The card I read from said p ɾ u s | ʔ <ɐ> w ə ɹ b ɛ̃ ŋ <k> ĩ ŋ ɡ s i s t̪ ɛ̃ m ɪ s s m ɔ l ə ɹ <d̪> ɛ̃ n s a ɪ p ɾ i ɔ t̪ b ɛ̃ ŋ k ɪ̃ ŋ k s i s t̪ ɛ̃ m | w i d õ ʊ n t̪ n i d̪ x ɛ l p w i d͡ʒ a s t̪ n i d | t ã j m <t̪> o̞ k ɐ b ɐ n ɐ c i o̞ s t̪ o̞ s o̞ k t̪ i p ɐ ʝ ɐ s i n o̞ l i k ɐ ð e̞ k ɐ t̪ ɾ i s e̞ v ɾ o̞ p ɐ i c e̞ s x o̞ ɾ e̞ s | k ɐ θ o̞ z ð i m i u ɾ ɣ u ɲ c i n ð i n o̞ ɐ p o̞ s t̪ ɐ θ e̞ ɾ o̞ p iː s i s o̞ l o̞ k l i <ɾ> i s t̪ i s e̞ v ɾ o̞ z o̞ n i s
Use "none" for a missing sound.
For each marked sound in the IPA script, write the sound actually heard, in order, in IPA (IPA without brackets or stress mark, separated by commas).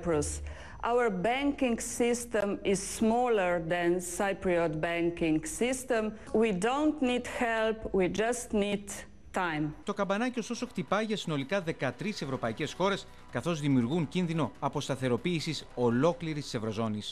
a, k, d̪, t̪, ɾ